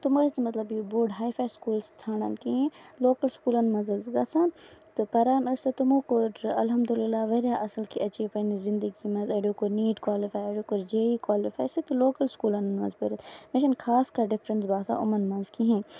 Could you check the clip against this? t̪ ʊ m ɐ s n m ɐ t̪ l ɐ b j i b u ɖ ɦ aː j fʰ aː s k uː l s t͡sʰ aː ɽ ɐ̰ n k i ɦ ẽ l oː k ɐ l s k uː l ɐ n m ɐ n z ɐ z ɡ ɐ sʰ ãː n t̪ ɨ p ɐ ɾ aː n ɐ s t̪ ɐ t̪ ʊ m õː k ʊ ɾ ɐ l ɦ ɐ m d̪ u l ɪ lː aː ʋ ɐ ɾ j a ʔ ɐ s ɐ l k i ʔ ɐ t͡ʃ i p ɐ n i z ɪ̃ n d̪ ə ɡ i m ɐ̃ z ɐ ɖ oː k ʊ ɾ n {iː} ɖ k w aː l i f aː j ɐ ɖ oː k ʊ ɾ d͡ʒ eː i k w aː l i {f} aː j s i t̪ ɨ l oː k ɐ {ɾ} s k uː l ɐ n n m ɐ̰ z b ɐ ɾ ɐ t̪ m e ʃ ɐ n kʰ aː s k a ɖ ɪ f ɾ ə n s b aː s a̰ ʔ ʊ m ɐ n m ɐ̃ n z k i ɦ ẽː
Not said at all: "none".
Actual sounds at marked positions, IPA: iː, f, l

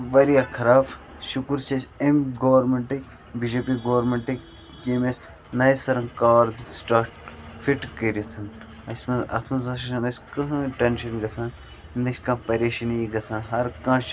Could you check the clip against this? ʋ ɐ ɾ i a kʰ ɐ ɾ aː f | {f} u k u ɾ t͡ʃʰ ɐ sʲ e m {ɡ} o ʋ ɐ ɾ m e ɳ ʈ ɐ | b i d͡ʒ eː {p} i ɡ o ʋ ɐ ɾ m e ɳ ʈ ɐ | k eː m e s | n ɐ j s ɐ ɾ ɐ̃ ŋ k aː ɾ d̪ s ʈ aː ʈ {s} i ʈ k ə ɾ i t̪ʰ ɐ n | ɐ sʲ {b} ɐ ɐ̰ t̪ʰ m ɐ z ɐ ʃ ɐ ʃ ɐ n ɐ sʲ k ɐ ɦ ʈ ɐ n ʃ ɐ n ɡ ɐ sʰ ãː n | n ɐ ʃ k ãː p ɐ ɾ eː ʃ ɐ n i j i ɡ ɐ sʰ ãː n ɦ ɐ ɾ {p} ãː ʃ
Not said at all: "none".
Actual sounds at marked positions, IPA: ʃ, ɡ, p, f, m, k

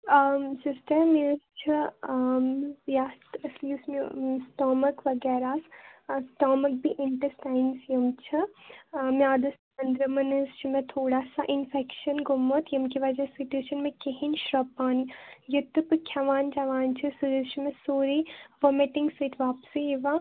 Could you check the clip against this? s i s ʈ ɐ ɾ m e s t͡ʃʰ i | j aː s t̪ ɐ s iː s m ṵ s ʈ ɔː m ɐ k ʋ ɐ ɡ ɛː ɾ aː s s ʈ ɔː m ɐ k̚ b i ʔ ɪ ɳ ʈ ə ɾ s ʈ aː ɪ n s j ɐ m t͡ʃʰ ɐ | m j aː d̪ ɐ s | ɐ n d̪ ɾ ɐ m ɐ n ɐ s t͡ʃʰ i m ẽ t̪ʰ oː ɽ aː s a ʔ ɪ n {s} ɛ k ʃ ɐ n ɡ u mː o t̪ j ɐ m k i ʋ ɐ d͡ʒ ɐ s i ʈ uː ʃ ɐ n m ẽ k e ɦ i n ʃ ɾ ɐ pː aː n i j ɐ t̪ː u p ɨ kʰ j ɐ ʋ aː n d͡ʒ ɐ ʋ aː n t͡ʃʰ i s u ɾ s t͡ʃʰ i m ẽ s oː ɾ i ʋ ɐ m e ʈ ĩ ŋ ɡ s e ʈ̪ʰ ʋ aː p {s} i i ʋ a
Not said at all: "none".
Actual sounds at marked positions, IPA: f, s

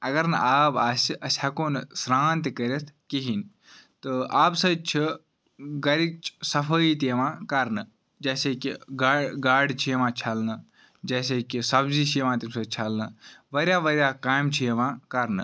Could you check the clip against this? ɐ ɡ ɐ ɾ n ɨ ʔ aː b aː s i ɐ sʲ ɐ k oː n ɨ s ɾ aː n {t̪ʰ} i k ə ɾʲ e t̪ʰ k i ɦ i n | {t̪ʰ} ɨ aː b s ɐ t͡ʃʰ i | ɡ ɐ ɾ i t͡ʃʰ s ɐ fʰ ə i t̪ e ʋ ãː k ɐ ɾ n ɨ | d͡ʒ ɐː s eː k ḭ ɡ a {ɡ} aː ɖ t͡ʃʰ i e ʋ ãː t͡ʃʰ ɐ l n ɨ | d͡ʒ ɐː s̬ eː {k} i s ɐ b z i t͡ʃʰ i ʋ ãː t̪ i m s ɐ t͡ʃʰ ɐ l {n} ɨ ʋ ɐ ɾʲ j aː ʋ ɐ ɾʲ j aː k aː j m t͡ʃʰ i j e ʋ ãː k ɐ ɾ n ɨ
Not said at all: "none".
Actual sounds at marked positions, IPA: t̪, t̪, ɡ, k, n

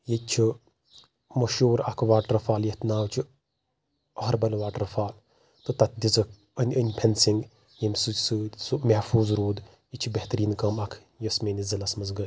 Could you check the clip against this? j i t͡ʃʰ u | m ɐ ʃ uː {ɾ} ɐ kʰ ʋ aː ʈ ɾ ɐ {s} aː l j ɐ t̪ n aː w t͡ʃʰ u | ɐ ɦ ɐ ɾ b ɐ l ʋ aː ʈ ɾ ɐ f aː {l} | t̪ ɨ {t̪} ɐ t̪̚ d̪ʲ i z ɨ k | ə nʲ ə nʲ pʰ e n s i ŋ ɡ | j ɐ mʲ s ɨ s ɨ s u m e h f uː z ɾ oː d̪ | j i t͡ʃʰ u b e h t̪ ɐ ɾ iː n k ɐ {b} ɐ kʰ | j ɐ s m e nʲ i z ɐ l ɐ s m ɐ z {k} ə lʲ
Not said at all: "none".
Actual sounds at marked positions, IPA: ɾ, f, l, t̪, m, ɡ

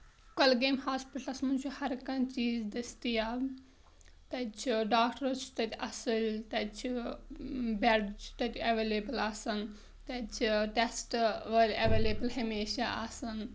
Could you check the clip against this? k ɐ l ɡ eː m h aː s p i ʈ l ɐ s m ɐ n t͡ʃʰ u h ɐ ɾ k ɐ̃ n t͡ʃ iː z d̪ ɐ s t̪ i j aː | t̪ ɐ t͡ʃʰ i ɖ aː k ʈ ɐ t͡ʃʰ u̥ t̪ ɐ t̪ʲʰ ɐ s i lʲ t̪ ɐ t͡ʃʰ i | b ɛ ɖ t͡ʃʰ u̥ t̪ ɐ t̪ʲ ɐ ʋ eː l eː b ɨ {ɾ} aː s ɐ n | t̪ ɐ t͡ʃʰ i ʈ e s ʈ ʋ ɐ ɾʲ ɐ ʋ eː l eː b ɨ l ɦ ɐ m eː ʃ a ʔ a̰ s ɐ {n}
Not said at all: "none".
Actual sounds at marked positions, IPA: l, n

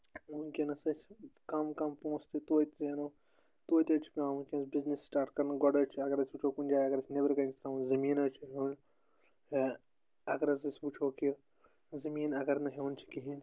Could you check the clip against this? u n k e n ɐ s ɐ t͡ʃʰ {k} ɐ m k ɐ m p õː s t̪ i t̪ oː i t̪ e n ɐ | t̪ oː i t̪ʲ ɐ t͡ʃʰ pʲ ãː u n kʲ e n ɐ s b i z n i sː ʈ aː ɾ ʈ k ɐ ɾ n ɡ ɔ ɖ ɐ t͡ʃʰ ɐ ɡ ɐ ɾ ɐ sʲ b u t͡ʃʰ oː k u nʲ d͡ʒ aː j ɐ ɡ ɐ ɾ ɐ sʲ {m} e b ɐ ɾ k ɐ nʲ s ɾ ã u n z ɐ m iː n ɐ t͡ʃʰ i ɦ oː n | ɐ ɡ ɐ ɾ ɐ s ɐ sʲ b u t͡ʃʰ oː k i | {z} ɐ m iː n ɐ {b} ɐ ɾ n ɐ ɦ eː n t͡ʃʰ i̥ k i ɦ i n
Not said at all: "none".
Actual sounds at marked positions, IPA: k, n, z, ɡ

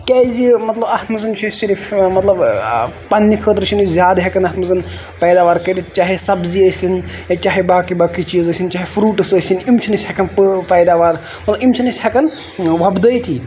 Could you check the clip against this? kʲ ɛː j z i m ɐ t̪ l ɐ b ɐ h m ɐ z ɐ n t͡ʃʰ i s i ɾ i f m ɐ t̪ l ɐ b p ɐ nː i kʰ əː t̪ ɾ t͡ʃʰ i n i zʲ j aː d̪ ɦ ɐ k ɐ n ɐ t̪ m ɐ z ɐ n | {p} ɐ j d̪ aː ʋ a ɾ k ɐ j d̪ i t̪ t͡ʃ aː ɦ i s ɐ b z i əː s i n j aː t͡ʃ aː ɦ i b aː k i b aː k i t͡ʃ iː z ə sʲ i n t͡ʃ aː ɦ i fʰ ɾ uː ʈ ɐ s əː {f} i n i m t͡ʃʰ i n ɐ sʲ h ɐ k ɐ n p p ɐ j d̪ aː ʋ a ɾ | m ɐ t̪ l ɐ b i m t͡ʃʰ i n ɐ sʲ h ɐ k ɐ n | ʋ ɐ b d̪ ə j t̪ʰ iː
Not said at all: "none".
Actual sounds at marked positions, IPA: p, s

